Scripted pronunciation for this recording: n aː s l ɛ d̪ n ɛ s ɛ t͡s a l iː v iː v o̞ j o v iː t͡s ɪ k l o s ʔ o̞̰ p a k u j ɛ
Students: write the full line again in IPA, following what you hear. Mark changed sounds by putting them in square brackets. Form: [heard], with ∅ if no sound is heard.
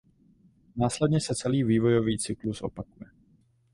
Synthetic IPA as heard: n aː s l ɛ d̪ [ɲ] ɛ s ɛ t͡s [ɛ] l iː v iː v o̞ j o v iː t͡s ɪ k l [u] s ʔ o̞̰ p a k u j ɛ